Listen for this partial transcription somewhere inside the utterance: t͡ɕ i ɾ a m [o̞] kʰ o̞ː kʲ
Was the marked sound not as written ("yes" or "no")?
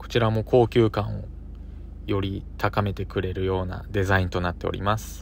no